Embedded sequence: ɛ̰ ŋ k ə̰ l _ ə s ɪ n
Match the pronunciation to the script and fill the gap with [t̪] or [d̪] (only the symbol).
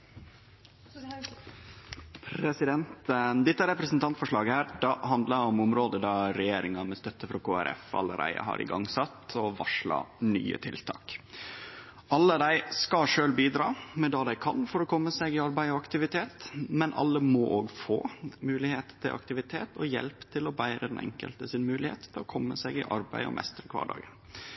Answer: t̪